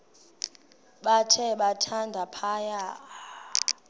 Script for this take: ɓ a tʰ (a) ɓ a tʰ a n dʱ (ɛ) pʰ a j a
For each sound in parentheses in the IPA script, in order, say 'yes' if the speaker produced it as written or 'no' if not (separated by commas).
no, no